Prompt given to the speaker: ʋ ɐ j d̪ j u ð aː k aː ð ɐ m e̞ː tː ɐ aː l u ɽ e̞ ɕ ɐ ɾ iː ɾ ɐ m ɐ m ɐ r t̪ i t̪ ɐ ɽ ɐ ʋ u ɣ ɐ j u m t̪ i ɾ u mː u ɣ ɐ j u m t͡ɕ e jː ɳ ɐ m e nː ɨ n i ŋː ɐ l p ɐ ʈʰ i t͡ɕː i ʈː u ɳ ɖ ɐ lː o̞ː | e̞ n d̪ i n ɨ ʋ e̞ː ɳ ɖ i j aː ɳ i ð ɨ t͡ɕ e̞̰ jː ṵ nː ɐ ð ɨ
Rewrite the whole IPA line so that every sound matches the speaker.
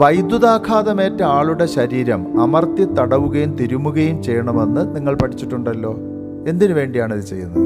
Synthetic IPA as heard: ʋ ɐ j d̪ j u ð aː kʰ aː ð ɐ m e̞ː tː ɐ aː ɭ u ɽ e̞ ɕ ɐ ɾ iː ɾ ɐ m ɐ m ɐ r t̪ i t̪ ɐ ɽ ɐ ʋ u ɣ ɐ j u m t̪ i ɾ u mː u ɣ ɐ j u m t͡ɕ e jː ɳ ɐ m e nː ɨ n i ŋː ɐ ɭ p ɐ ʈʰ i t͡ɕː i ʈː u ɳ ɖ ɐ lː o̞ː | e̞ n d̪ i n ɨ ʋ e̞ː ɳ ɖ i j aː ɳ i ð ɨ t͡ɕ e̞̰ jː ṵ nː ɐ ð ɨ